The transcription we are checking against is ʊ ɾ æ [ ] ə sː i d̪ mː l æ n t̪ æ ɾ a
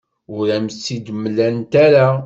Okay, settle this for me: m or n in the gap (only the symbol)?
m